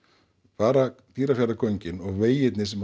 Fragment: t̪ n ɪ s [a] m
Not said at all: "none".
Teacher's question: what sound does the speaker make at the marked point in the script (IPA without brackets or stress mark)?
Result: ɛ